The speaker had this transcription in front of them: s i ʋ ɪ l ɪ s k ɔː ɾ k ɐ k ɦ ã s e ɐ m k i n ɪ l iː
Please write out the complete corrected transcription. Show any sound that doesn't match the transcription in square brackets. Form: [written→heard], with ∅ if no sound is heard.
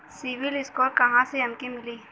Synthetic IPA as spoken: s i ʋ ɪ l ɪ s k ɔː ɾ k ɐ [k→∅] ɦ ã s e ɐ m k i [n→m] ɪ l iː